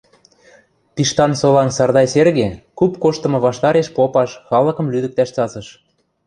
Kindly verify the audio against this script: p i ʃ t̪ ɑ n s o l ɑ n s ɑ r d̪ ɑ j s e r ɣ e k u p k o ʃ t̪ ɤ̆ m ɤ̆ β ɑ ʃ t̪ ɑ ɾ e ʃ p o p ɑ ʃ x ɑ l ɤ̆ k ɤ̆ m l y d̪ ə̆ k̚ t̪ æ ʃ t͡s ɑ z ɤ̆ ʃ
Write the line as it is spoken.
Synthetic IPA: p i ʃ t̪ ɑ n s o l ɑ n s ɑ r d̪ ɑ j s e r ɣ e k u p k o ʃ t̪ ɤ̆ m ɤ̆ β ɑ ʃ t̪ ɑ ɾ e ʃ p o p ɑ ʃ x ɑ l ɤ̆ k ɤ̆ m l y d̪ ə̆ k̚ t̪ æ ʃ t͡s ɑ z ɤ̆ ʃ